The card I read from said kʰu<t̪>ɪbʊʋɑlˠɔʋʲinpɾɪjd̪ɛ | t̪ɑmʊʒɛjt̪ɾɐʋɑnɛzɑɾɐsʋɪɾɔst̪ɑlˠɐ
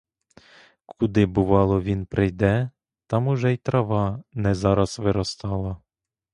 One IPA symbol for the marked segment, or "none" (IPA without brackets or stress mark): d̪